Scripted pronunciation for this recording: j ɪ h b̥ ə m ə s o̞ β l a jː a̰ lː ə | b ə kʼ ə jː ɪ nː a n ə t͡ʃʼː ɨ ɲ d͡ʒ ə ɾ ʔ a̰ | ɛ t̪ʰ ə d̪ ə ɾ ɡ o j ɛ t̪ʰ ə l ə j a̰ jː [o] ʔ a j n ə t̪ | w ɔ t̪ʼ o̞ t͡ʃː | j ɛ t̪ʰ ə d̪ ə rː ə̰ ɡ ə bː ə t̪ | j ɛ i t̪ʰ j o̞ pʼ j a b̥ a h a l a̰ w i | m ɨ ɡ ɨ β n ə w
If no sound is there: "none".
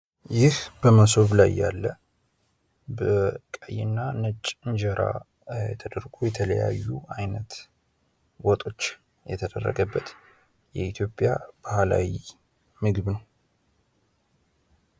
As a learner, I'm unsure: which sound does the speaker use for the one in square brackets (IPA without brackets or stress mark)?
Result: u